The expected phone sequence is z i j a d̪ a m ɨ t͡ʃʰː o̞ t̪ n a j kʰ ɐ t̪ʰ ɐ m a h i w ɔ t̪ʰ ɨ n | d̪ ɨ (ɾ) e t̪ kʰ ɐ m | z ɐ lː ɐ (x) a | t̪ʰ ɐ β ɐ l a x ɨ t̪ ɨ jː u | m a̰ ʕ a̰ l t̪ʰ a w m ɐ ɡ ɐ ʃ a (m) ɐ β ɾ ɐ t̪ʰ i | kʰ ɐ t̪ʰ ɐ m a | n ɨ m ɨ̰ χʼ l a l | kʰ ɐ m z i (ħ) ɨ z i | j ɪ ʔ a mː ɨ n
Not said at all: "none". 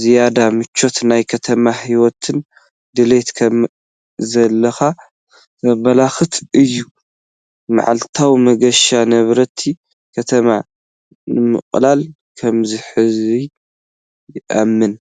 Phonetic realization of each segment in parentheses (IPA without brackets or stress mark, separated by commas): l, x, n, ħ